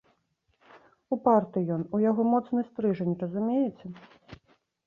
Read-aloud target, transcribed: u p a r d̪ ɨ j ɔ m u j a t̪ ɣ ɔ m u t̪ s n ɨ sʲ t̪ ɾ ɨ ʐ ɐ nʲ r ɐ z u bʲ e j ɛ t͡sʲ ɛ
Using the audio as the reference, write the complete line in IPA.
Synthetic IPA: u p a r t̪ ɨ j ɔ n u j a ɣ ɔ m ɔ t̪ s n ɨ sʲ t̪ ɾ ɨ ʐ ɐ nʲ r ɐ z u mʲ e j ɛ t͡sʲ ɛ